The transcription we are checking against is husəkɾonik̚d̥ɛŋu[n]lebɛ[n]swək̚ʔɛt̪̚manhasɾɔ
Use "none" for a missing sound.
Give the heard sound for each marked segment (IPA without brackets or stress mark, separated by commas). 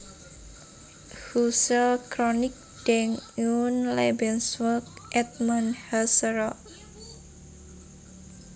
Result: n, n